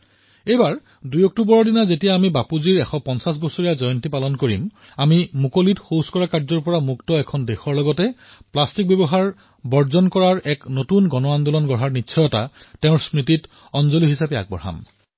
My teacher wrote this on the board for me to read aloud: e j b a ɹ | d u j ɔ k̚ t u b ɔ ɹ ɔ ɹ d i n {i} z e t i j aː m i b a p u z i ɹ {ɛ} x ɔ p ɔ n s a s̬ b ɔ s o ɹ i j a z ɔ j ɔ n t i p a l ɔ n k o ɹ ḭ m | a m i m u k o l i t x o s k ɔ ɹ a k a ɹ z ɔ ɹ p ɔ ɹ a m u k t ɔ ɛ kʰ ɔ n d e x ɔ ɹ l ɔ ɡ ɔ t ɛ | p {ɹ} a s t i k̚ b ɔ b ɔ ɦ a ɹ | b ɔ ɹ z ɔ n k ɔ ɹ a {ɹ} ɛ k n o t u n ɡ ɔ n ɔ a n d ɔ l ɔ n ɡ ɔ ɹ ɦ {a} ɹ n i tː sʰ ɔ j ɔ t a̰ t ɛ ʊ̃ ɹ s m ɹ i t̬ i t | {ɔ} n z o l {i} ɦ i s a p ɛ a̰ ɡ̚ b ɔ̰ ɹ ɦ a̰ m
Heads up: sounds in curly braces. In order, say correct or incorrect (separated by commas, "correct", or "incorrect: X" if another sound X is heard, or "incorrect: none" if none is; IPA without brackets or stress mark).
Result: incorrect: a, correct, incorrect: l, correct, correct, correct, correct